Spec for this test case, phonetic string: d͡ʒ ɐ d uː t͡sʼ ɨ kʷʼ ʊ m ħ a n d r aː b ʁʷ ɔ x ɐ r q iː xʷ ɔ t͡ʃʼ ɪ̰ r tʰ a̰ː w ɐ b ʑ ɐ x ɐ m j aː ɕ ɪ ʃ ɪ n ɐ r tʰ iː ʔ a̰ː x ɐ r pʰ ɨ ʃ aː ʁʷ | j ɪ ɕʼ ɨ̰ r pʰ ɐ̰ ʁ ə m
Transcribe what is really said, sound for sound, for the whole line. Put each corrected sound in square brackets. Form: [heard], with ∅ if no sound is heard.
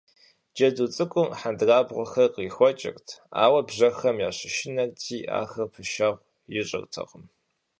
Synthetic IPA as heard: d͡ʒ ɐ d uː t͡sʼ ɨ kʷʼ ʊ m ħ a n d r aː b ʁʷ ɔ x ɐ r q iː xʷ ɔ t͡ʃʼ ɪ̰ r tʰ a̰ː w ɐ b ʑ ɐ x ɐ m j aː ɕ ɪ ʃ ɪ n ɐ r tʰ iː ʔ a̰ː x ɐ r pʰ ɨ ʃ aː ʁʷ | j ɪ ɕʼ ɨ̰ r [tʰ] ɐ̰ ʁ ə m